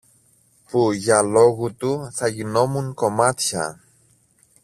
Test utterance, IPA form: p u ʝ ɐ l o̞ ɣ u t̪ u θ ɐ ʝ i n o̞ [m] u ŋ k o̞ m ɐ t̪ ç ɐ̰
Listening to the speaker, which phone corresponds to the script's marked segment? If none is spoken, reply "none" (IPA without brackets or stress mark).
m